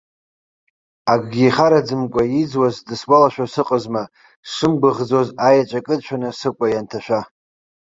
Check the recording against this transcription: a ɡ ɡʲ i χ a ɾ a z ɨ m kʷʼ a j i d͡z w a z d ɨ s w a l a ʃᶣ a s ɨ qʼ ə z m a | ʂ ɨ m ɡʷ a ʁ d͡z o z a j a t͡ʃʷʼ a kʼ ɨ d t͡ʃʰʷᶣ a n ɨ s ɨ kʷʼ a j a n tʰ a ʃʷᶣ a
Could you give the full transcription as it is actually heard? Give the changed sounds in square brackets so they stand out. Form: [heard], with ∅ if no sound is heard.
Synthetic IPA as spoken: a ɡ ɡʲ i χ a ɾ a [d͡z] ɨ m kʷʼ a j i d͡z w a z d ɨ s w a l a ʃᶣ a s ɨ qʼ ə z m a | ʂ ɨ m ɡʷ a ʁ d͡z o z a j a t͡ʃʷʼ a kʼ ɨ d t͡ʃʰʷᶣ a n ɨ s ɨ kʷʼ a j a n tʰ a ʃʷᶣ a